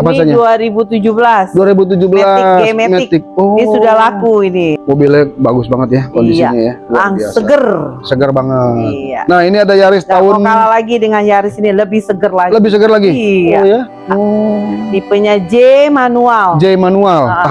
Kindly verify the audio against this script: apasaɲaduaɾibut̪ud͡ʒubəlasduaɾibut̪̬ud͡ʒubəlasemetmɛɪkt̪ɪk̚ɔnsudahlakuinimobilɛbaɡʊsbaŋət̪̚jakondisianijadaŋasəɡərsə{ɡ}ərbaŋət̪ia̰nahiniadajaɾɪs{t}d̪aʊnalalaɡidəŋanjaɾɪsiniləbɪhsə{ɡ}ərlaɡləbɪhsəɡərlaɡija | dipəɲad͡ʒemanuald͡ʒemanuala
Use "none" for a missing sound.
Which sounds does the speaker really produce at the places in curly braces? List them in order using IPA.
ɡ, t, ɡ

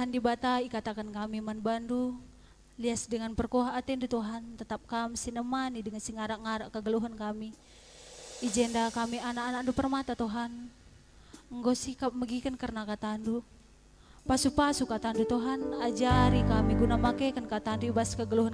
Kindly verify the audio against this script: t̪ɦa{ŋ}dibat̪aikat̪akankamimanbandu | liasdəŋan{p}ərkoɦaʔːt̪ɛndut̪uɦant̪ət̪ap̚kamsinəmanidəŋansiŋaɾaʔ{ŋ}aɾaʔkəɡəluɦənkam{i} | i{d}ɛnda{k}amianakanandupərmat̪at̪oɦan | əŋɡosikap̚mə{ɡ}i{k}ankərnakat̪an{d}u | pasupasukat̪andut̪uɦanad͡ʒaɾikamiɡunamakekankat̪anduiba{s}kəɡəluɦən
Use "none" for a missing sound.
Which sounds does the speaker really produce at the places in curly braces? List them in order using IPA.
n, p, ŋ, i, d͡ʒ, k, ɡ, k, d, s

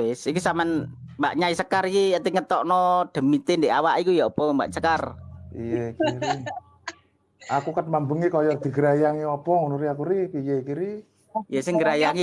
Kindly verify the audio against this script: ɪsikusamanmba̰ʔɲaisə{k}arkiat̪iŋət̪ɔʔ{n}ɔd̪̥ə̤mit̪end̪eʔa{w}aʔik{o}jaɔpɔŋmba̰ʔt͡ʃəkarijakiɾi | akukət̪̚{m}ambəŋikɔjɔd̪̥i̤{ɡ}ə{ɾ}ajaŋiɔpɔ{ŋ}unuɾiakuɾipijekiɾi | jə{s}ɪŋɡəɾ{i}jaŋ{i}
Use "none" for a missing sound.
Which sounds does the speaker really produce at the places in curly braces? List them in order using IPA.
k, n, w, u, m, ɡ, ɾ, ŋ, s, a, i

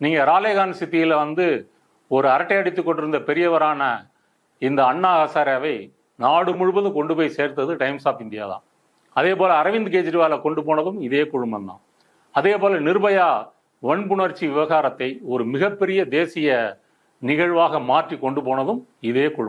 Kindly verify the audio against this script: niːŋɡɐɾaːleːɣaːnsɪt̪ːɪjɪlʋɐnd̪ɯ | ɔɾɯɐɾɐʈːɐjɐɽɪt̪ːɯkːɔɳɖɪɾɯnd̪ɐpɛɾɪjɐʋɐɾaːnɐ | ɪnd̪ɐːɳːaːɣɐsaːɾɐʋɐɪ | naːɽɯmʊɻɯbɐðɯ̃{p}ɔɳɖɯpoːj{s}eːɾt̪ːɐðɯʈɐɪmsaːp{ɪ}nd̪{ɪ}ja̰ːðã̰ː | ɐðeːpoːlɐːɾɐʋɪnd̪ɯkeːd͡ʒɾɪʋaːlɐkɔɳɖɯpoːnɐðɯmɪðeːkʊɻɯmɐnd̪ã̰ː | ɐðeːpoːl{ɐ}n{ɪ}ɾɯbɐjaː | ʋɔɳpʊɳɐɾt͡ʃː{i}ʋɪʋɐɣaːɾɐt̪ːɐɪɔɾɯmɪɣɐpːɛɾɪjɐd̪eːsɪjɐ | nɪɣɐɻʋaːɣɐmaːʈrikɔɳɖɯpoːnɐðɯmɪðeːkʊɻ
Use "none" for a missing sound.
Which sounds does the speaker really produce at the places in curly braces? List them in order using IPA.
k, s, ɪ, ɪ, ɐ, ɪ, i

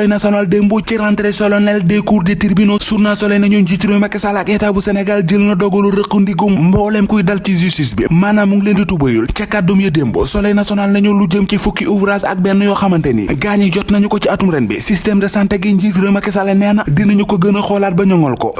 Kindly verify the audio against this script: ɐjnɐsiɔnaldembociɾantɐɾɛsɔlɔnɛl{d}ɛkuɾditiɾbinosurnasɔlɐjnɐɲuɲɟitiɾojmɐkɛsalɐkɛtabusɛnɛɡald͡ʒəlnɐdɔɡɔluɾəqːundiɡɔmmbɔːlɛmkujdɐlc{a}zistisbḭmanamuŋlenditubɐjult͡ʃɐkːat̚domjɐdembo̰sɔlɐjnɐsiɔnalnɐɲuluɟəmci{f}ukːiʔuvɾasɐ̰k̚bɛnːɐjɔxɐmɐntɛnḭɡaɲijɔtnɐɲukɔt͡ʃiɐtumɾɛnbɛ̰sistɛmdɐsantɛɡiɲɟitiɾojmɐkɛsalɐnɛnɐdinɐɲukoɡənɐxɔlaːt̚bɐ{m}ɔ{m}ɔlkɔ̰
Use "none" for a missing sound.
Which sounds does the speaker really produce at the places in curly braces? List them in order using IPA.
d, i, f, ɲ, ŋ

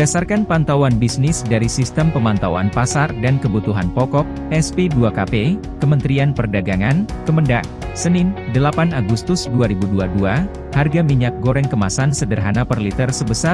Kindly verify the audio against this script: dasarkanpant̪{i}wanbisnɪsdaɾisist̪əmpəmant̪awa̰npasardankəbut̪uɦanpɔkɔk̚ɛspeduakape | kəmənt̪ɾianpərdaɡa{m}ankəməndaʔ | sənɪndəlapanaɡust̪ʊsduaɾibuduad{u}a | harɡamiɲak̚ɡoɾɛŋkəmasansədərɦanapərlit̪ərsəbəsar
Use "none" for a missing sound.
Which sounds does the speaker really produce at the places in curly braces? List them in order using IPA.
a, ŋ, u

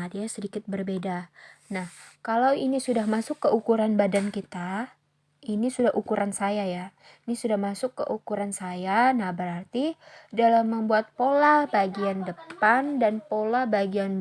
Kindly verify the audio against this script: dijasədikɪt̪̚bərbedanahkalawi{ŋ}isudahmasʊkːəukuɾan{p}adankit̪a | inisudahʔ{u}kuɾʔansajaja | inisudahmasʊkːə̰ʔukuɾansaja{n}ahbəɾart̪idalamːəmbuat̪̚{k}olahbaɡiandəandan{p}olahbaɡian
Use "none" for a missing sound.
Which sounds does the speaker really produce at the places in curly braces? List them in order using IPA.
n, b, u, n, p, p

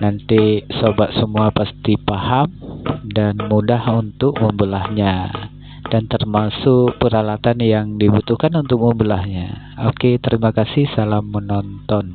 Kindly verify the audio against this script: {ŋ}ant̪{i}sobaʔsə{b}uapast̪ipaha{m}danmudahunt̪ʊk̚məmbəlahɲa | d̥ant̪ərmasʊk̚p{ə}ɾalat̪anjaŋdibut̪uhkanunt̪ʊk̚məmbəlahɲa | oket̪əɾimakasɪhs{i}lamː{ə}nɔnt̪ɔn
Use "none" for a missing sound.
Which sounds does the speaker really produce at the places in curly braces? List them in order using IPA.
n, i, m, m, ə, a, ə

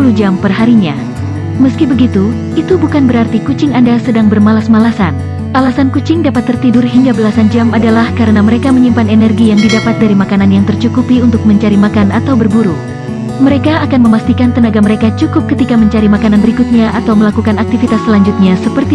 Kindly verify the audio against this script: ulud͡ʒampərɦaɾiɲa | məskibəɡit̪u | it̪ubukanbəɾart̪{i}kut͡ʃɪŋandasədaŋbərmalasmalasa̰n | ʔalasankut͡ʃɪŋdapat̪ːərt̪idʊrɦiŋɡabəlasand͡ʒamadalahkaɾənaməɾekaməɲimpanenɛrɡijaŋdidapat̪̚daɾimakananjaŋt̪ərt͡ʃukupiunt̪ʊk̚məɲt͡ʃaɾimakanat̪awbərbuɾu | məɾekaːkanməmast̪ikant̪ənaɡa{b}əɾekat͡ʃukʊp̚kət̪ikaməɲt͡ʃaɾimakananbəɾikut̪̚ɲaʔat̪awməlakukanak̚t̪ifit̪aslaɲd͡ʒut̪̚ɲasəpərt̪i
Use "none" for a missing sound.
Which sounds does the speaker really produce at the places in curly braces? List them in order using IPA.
i, m

